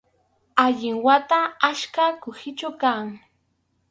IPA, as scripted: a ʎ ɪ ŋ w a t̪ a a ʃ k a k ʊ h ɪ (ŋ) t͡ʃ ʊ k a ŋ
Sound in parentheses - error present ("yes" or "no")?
yes